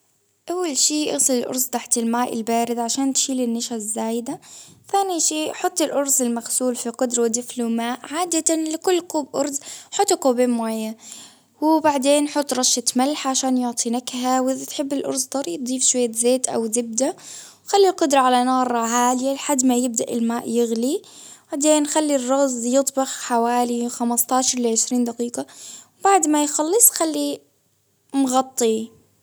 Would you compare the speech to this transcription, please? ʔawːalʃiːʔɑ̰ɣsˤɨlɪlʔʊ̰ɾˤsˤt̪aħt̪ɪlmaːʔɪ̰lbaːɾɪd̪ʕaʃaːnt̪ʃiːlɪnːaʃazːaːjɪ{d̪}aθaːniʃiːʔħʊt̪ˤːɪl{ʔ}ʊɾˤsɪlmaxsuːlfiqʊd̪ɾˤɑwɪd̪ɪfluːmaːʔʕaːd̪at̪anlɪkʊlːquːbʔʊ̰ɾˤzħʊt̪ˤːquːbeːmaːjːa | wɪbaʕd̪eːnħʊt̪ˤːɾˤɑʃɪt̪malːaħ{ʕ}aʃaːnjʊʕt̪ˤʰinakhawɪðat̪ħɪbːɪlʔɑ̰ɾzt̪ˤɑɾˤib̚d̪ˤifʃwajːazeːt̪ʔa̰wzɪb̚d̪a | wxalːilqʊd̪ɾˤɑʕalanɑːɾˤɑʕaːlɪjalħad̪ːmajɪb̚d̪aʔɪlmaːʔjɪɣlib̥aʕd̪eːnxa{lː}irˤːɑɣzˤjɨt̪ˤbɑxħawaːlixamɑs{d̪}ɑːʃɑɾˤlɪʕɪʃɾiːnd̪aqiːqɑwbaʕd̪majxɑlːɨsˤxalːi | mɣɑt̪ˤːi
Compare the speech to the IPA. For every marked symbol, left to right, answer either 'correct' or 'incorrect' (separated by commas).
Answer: correct, correct, correct, correct, incorrect